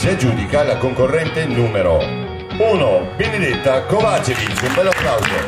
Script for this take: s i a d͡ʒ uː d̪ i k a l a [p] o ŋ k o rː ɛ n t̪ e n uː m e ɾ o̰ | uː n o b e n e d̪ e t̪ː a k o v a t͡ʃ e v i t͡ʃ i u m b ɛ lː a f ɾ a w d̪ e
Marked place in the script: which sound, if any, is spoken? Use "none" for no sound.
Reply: k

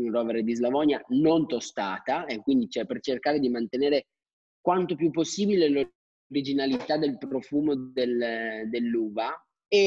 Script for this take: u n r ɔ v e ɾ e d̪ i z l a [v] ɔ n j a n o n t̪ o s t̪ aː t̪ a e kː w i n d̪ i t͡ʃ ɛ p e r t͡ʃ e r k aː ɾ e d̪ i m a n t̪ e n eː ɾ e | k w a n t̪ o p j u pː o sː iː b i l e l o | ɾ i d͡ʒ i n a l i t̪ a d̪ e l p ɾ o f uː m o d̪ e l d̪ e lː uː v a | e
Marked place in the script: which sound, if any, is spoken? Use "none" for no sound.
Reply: v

